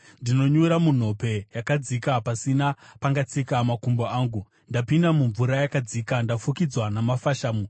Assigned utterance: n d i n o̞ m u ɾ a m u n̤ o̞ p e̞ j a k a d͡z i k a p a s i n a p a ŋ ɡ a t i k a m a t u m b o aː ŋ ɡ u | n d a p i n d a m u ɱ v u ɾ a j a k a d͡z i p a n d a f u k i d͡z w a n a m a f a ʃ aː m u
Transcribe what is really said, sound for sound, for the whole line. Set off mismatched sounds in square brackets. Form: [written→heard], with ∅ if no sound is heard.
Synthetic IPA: n d i n o̞ [m→ɲ] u ɾ a m u n̤ o̞ p e̞ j a k a d͡z i k a p a s i n a p a ŋ ɡ a [t→t͡s] i k a m a [t→k] u m b o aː ŋ ɡ u | n d a p i n d a m u ɱ v u ɾ a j a k a d͡z i [p→k] a n d a f u k i d͡z w a n a m a f a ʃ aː m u

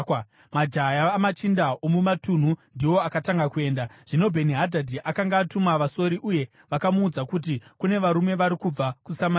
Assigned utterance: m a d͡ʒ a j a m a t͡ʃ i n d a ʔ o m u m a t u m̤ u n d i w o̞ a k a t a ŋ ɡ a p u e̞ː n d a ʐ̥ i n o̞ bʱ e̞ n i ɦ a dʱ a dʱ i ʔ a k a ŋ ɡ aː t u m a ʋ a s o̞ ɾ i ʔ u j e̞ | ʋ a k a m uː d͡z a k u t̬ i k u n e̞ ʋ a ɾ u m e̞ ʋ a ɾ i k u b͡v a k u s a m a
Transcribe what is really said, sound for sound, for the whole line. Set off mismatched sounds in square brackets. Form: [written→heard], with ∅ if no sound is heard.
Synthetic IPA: m a d͡ʒ a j a m a t͡ʃ i n d a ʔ o m u m a t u [m̤→n̤] u n d i w o̞ a k a t a ŋ ɡ a [p→k] u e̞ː n d a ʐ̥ i n o̞ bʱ e̞ n i ɦ a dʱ a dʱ i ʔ a k a ŋ ɡ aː t u m a ʋ a s o̞ ɾ i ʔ u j e̞ | ʋ a k a m uː d͡z a k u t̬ i k u n e̞ ʋ a ɾ u m e̞ ʋ a ɾ i k u b͡v a k u s a m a

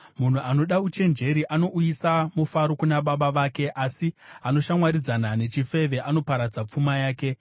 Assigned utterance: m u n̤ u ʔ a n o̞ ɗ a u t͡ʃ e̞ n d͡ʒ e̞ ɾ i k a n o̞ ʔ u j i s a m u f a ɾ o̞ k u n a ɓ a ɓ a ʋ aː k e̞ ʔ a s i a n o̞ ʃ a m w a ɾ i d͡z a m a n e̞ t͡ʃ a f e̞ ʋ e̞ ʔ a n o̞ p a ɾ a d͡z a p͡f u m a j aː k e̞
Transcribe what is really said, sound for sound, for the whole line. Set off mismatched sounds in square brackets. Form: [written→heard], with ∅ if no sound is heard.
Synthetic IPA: m u n̤ u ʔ a n o̞ ɗ a u t͡ʃ e̞ n d͡ʒ e̞ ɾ i [k→ʔ] a n o̞ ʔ u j i s a m u f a ɾ o̞ k u n a ɓ a ɓ a ʋ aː k e̞ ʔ a s i a n o̞ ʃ a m w a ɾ i d͡z a [m→n] a n e̞ t͡ʃ [a→i] f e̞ ʋ e̞ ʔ a n o̞ p a ɾ a d͡z a p͡f u m a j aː k e̞

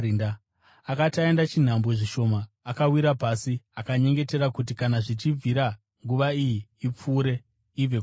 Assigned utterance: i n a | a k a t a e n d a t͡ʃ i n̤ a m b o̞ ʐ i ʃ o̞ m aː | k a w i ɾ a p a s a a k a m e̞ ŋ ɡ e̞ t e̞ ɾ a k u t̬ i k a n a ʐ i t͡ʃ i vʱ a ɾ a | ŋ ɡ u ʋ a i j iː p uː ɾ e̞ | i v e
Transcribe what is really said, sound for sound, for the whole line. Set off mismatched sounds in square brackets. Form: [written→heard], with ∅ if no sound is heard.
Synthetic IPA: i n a | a k a t a e n d a t͡ʃ i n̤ a m b o̞ ʐ i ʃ o̞ m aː | k a w i ɾ a p a s [a→i] a k a [m→ɲ] e̞ ŋ ɡ e̞ t e̞ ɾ a k u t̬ i k a n a ʐ i t͡ʃ i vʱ [a→i] ɾ a | ŋ ɡ u ʋ a i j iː [p→p͡f] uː ɾ e̞ | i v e

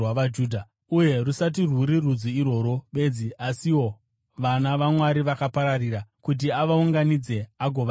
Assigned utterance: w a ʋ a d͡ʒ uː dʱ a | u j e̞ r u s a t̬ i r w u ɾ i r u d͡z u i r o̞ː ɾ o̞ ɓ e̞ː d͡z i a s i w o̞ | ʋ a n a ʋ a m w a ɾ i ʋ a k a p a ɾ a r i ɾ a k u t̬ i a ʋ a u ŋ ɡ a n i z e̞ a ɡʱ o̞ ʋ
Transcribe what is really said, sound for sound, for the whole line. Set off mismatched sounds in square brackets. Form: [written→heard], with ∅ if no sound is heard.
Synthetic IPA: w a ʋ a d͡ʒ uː dʱ a | u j e̞ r u s a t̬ i r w u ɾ i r u d͡z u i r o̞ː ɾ o̞ ɓ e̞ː d͡z i a s i w o̞ | ʋ a n a ʋ a m w a ɾ i ʋ a k a p a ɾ a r i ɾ a k u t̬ i a ʋ a u ŋ ɡ a n i [z→d͡z] e̞ a ɡʱ o̞ ʋ

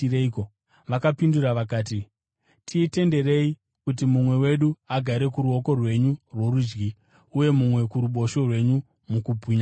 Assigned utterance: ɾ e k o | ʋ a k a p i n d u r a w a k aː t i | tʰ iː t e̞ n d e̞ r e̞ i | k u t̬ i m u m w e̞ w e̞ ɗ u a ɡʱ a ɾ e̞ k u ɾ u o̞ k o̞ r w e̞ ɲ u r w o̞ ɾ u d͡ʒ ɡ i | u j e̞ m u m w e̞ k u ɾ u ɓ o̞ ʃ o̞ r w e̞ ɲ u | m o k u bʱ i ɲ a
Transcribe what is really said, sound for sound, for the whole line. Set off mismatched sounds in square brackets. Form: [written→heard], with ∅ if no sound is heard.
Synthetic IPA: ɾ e k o | ʋ a k a p i n d u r a [w→ʋ] a k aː t i | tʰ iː t e̞ n d e̞ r e̞ i | k u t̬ i m u m w e̞ w e̞ ɗ u a ɡʱ a ɾ e̞ k u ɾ u o̞ k o̞ r w e̞ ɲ u r w o̞ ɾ u d͡ʒ ɡ i | u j e̞ m u m w e̞ k u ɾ u ɓ o̞ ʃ o̞ r w e̞ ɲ u | m [o→u] k u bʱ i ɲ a

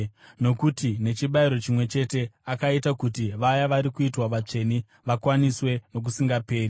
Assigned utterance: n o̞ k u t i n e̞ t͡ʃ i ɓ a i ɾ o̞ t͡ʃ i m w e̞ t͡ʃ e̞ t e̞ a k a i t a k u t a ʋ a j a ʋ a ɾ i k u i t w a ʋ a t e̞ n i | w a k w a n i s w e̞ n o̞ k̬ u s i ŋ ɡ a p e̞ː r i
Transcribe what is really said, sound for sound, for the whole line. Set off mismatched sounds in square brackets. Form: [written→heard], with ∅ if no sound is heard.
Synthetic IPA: n o̞ k u t i n e̞ t͡ʃ i ɓ a i ɾ o̞ t͡ʃ i m w e̞ t͡ʃ e̞ t e̞ a k a i t a k u t [a→i] ʋ a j a ʋ a ɾ i k u i t w a ʋ a [t→t͡ʂ] e̞ n i | [w→ʋ] a k w a n i s w e̞ n o̞ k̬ u s i ŋ ɡ a p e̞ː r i

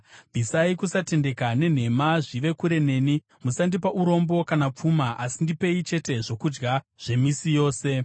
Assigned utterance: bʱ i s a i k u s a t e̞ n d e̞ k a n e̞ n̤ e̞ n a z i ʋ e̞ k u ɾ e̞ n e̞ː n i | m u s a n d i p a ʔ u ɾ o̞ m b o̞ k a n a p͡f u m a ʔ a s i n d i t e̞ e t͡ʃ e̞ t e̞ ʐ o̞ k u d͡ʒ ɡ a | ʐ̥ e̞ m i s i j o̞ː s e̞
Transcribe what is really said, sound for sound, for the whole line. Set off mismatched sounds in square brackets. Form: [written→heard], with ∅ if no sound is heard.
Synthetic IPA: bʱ i s a i k u s a t e̞ n d e̞ k a n e̞ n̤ e̞ [n→m] a [z→ʐ] i ʋ e̞ k u ɾ e̞ n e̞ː n i | m u s a n d i p a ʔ u ɾ o̞ m b o̞ k a n a p͡f u m a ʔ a s i n d i [t→p] e̞ [e→i] t͡ʃ e̞ t e̞ ʐ o̞ k u d͡ʒ ɡ a | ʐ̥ e̞ m i s i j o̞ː s e̞

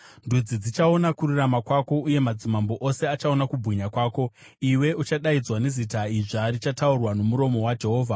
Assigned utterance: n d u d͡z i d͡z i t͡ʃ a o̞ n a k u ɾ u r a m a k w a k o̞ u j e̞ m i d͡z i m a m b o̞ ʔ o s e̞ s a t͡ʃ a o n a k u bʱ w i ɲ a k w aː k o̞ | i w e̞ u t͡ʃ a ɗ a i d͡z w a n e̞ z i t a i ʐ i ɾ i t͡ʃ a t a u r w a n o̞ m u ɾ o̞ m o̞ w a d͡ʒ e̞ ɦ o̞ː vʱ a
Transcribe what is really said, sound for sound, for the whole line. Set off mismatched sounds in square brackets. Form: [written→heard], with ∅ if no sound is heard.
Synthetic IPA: n d u d͡z i d͡z i t͡ʃ a o̞ n a k u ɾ u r a m a k w a k o̞ u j e̞ m [i→a] d͡z i m a m b o̞ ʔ o s e̞ [s→∅] a t͡ʃ a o n a k u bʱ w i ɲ a k w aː k o̞ | i w e̞ u t͡ʃ a ɗ a i d͡z w a n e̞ z i t a i ʐ [i→a] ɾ i t͡ʃ a t a u r w a n o̞ m u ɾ o̞ m o̞ w a d͡ʒ e̞ ɦ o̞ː vʱ a

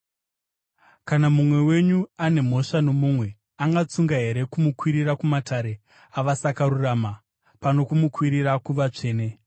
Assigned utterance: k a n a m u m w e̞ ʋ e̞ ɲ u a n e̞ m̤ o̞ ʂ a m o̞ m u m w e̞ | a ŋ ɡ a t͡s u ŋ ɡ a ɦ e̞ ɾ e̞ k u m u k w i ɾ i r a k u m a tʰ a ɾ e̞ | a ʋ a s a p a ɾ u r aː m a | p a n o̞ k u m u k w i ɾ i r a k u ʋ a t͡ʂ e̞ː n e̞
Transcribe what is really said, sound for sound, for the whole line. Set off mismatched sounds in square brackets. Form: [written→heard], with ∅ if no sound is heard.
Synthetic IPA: k a n a m u m w e̞ [ʋ→w] e̞ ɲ u a n e̞ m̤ o̞ ʂ a [m→n] o̞ m u m w e̞ | a ŋ ɡ a t͡s u ŋ ɡ a ɦ e̞ ɾ e̞ k u m u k w i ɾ i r a k u m a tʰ a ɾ e̞ | a ʋ a s a [p→k] a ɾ u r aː m a | p a n o̞ k u m u k w i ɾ i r a k u ʋ a t͡ʂ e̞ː n e̞

